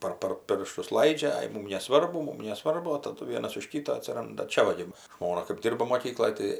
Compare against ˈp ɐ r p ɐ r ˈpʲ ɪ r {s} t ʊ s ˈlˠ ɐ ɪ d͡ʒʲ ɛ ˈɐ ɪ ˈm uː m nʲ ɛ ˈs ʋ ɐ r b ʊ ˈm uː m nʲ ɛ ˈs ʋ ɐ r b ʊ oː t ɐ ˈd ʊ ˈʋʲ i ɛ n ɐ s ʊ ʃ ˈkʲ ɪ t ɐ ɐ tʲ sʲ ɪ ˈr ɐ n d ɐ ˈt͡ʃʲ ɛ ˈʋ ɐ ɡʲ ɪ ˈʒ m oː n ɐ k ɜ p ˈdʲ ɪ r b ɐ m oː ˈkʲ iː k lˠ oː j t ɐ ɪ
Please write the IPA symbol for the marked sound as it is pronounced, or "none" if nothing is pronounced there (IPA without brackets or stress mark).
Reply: ʃ